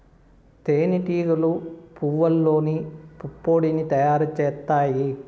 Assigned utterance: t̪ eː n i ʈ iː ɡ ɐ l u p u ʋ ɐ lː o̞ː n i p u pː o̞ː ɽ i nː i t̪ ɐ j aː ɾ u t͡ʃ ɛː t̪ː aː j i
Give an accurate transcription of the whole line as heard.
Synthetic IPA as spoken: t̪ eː n i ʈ iː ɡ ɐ l u p u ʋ ɐ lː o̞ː n i p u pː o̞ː ɽ i n i t̪ ɐ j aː ɾ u t͡ʃ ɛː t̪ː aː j i